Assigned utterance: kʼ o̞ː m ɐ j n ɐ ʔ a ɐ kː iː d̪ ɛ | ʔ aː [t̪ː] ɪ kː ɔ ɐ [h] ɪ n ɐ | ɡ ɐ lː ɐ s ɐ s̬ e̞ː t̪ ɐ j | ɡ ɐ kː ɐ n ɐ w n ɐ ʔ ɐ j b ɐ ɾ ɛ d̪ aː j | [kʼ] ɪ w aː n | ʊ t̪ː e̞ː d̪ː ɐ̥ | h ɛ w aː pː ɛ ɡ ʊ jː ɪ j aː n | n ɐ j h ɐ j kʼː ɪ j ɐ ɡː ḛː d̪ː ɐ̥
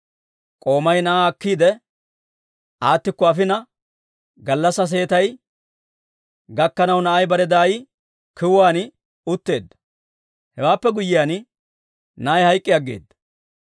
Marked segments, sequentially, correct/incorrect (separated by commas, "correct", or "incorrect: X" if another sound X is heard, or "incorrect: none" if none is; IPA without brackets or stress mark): correct, incorrect: f, incorrect: k